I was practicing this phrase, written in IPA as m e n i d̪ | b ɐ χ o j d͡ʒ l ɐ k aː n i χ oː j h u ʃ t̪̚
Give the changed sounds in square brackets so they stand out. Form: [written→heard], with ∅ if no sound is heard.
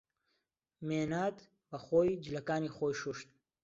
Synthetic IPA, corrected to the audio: m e n [i→a] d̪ | b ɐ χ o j d͡ʒ l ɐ k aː n i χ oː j [h→ʃ] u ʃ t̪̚